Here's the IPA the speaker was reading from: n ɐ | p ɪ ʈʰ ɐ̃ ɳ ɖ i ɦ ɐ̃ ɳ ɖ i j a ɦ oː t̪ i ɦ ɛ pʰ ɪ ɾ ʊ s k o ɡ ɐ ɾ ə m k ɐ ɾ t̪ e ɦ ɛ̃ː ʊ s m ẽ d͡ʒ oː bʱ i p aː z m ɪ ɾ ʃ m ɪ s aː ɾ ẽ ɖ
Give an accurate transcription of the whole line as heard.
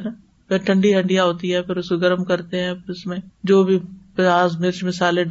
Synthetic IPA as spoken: n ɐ | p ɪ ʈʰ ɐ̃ ɳ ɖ i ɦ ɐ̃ ɳ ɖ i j a ɦ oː t̪ i ɦ ɛ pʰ ɪ ɾ ʊ s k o ɡ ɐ ɾ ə m k ɐ ɾ t̪ e ɦ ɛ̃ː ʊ s m ẽ d͡ʒ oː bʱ i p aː z m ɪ ɾ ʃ m ɪ s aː l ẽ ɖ